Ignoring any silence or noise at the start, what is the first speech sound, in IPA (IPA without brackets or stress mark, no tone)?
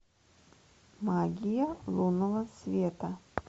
m